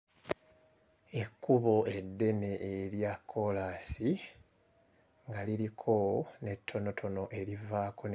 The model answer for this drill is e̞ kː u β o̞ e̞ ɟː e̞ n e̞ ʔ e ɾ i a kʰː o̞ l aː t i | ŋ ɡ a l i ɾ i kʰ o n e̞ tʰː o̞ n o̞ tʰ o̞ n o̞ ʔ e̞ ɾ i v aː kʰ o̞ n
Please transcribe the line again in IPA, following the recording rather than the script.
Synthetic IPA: e̞ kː u β o̞ e̞ dː e̞ n e̞ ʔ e ɾ j a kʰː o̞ l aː s i | ŋ ɡ a l i ɾ i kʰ o n e̞ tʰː o̞ n o̞ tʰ o̞ n o̞ ʔ e̞ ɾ i v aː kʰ o̞ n